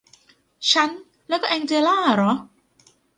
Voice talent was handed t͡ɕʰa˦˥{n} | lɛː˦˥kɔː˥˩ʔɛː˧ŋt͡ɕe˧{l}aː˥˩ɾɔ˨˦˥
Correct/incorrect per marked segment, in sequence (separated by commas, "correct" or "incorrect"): correct, correct